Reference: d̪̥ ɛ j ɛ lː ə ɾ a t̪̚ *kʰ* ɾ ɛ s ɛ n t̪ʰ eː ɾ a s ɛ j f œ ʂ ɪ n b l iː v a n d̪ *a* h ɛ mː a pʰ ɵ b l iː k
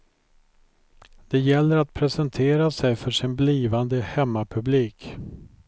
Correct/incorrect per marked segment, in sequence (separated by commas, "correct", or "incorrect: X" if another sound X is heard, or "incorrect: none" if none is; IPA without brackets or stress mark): incorrect: pʰ, incorrect: ə